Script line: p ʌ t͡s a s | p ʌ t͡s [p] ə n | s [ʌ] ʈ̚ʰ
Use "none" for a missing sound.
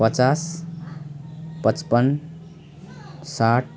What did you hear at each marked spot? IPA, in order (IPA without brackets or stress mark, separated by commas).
p, a